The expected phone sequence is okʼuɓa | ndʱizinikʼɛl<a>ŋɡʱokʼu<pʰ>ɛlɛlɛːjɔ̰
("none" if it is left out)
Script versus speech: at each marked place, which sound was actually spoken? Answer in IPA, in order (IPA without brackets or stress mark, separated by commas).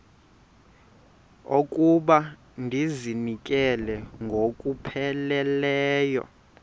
ɛ, pʰ